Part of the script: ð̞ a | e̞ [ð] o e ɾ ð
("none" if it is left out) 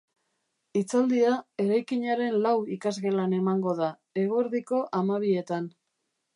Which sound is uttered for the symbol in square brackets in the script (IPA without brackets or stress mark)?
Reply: ɣ